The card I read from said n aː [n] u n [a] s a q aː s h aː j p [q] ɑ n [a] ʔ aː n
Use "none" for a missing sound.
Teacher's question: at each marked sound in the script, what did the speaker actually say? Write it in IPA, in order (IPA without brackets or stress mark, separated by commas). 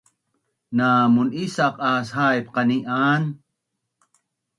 m, i, q, i